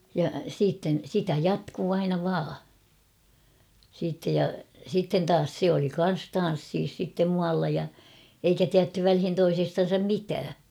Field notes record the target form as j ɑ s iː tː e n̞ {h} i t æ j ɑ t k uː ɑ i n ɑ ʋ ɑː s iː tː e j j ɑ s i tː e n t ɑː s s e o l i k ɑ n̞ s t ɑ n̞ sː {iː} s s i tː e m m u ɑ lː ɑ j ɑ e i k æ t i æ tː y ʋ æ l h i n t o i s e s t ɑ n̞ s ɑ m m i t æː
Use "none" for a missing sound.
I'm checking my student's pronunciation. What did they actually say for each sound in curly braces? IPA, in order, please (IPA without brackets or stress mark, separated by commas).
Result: s, iː